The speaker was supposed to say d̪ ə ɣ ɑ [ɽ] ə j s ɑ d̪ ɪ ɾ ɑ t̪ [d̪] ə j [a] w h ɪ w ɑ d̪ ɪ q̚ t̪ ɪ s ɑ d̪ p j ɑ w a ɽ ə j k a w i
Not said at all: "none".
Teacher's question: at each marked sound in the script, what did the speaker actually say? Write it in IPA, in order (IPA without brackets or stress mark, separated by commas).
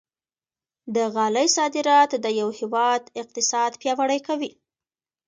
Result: l, d̪, a